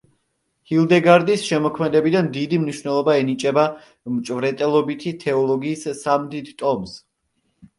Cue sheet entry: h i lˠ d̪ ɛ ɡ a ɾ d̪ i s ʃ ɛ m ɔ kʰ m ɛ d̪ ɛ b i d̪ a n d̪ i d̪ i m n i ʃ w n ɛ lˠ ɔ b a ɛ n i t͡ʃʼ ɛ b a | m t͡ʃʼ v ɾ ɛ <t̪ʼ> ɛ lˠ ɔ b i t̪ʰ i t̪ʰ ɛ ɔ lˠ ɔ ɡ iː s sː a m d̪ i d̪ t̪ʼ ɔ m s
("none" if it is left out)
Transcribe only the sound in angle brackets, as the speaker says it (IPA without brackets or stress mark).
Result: t̪ʼ